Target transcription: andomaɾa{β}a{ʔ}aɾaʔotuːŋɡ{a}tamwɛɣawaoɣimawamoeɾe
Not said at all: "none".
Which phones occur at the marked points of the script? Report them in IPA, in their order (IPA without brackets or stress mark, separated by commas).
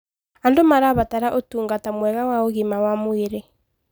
β, t, a